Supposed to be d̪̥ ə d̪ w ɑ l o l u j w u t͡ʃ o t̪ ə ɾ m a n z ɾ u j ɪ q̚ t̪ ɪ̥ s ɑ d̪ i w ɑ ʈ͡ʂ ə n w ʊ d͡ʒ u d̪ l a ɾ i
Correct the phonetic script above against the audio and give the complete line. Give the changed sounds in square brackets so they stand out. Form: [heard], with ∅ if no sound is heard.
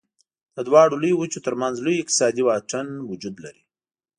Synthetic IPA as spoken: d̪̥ ə d̪ w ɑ [ɽ] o l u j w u t͡ʃ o t̪ ə ɾ m a n z [l] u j ɪ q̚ t̪ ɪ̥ s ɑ d̪ i w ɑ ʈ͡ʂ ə n w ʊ d͡ʒ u d̪ l a ɾ i